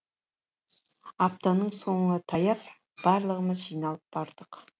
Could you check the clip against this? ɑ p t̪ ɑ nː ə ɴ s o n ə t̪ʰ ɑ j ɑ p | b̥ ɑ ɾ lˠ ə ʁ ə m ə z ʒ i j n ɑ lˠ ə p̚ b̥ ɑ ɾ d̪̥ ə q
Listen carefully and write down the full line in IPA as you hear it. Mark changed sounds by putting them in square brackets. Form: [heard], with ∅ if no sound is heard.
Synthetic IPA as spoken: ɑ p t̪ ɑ [n] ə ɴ s o [ɴ] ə t̪ʰ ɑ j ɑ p | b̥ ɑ ɾ lˠ ə ʁ ə m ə z ʒ i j n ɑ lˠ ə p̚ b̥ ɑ ɾ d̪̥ ə q